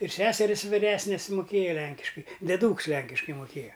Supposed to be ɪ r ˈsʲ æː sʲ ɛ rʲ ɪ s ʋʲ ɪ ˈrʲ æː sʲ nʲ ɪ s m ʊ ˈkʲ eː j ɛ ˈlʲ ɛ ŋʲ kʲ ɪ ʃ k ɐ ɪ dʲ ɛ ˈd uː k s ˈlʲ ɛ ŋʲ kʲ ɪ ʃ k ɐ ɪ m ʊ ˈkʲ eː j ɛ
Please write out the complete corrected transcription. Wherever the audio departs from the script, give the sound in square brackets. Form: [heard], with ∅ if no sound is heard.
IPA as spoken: ɪ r ˈsʲ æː sʲ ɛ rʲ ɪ s ʋʲ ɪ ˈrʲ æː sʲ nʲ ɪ s m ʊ ˈkʲ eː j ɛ ˈlʲ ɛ ŋʲ kʲ ɪ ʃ k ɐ ɪ dʲ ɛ ˈd uː k s ˈlʲ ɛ ŋʲ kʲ ɪ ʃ k ɐ ɪ m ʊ ˈkʲ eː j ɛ